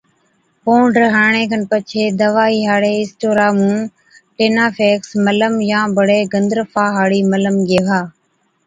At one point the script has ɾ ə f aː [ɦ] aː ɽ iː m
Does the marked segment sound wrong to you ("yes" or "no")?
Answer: no